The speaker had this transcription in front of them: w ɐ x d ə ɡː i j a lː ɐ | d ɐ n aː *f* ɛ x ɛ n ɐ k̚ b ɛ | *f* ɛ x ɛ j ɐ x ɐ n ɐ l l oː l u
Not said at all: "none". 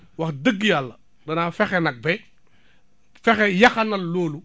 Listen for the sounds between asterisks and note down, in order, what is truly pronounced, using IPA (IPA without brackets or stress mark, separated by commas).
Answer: f, f